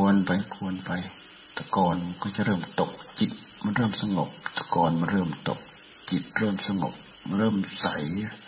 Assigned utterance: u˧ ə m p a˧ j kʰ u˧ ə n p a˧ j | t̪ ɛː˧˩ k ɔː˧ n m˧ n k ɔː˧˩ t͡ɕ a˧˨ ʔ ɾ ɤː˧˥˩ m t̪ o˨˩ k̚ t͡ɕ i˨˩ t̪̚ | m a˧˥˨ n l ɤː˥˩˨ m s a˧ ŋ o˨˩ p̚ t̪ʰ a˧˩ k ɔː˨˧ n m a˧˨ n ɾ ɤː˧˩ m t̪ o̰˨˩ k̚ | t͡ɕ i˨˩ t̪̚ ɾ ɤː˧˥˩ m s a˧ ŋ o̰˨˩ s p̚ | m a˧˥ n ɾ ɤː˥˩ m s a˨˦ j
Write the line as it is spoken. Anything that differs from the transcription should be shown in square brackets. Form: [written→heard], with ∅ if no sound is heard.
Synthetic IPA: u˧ ə [m→n] p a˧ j kʰ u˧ ə n p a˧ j | t̪ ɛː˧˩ k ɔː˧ n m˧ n k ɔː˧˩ t͡ɕ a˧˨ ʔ ɾ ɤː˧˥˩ m t̪ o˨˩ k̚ t͡ɕ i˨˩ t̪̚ | m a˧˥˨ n [l→ɾ] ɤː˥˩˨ m s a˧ ŋ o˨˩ p̚ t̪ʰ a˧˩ k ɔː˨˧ n m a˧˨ n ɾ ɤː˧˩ m t̪ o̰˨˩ k̚ | t͡ɕ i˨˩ t̪̚ ɾ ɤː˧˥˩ m s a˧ ŋ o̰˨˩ [s→∅] p̚ | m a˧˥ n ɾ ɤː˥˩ m s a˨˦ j